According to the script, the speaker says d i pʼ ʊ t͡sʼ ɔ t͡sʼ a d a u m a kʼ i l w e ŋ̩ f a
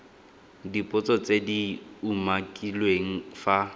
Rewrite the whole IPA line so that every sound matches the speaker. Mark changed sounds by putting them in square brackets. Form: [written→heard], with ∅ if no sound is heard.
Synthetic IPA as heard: d i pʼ ʊ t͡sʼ ɔ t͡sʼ [a→e] d [a→i] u m a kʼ i l w e ŋ̩ f a